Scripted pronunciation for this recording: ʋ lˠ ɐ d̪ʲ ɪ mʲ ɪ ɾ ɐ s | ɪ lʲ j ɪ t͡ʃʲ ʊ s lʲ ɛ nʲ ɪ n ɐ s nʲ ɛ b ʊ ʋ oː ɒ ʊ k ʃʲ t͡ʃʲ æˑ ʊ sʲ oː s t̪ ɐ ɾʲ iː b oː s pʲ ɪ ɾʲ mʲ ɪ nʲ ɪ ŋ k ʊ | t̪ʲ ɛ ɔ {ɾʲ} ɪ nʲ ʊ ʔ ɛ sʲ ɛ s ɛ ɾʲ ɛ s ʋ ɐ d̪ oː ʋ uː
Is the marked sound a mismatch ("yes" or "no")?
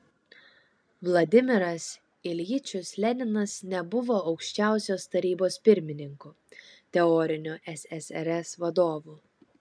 no